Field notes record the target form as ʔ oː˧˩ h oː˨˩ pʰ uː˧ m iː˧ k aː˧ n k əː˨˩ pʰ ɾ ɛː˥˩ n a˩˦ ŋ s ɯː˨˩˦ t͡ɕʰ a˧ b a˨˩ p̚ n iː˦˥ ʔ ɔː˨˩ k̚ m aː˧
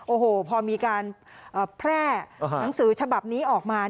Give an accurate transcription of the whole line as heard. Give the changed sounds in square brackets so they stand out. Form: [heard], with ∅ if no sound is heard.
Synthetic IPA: ʔ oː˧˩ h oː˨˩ pʰ [ɔː˧] m iː˧ k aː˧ n [ʔ] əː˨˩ pʰ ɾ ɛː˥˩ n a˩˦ ŋ s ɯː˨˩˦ t͡ɕʰ a˧ b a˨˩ p̚ n iː˦˥ ʔ ɔː˨˩ k̚ m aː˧